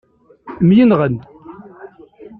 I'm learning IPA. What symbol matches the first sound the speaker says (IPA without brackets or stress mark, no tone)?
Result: m